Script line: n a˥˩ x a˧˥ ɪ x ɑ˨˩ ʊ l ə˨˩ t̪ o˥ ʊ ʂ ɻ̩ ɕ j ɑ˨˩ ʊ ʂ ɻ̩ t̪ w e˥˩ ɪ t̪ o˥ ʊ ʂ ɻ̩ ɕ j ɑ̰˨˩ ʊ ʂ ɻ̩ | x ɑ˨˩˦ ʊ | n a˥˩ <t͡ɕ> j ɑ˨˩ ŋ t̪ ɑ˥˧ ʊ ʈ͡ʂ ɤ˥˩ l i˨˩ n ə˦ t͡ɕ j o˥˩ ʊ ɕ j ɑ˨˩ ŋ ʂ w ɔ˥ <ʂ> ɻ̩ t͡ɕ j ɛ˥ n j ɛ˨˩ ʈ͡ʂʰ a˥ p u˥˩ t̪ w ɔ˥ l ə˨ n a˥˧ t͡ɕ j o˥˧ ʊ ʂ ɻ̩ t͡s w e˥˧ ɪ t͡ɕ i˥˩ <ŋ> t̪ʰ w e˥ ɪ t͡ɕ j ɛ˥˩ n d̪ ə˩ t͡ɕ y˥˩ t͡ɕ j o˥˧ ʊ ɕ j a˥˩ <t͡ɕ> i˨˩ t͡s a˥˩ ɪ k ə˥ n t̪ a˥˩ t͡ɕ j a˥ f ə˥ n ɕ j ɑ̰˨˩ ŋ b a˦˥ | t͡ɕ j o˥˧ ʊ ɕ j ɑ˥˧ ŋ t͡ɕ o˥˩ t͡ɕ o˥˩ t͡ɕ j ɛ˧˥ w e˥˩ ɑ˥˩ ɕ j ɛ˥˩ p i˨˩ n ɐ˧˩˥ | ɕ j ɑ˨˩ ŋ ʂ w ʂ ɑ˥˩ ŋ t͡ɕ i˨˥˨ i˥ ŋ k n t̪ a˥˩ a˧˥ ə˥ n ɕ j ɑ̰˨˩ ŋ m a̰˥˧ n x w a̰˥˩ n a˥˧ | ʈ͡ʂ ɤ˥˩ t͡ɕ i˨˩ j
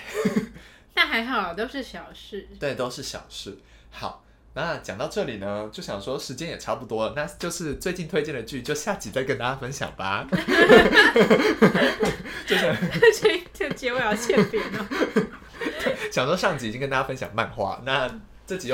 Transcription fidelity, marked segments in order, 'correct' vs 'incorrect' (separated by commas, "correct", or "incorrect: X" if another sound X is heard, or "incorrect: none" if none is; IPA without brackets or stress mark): correct, correct, incorrect: n, correct